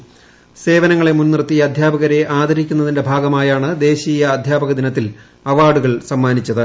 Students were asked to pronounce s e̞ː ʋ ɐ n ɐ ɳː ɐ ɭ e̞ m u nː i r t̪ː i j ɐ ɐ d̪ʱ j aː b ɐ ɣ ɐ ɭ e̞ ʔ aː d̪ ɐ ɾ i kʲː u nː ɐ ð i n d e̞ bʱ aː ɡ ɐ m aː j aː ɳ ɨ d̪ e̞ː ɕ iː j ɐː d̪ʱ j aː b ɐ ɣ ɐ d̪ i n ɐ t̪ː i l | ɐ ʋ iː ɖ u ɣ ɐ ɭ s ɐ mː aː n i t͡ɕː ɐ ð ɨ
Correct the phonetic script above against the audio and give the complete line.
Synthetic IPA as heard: s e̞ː ʋ ɐ n ɐ ŋː ɐ ɭ e̞ m u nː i r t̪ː i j ɐ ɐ d̪ʱ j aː b ɐ ɣ ɐ ɾ e̞ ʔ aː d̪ ɐ ɾ i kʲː u nː ɐ ð i n d e̞ bʱ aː ɡ ɐ m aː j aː ɳ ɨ d̪ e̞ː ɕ iː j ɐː d̪ʱ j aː b ɐ ɣ ɐ d̪ i n ɐ t̪ː i l | ɐ ʋ aː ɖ u ɣ ɐ ɭ s ɐ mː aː n i t͡ɕː ɐ ð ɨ